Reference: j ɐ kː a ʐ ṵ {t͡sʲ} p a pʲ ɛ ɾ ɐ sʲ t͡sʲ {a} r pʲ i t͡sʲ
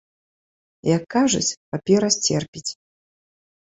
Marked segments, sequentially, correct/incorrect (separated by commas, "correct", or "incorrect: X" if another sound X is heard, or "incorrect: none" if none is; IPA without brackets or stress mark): correct, incorrect: ɛ